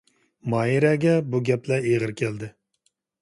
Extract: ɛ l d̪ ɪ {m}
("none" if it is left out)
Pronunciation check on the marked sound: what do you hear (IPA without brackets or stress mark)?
none